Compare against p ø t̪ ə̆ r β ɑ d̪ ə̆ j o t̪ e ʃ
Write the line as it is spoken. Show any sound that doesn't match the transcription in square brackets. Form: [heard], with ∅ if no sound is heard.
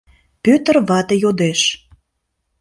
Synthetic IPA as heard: p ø t̪ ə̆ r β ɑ [t̪] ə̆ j o [d̪] e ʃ